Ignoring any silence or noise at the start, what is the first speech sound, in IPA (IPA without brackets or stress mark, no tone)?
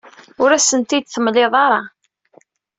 ʊ